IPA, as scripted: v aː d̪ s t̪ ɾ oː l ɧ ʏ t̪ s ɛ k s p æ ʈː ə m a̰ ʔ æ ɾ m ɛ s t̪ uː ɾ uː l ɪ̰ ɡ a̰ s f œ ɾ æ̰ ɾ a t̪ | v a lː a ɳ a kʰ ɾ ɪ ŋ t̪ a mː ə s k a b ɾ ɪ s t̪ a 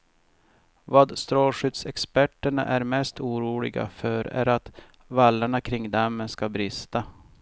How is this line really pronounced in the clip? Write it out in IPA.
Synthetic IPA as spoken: v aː d̪ s t̪ ɾ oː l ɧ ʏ t̪ s ɛ k s p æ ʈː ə ɳ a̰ ʔ æ ɾ m ɛ s t̪ uː ɾ uː l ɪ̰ ɡ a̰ f œ ɾ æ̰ ɾ a t̪ | v a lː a ɳ a kʰ ɾ ɪ ŋ d̪ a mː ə s k a b ɾ ɪ s t̪ a